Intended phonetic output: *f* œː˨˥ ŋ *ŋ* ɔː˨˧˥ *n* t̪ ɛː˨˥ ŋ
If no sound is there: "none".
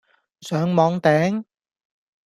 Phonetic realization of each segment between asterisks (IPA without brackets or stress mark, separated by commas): s, m, ŋ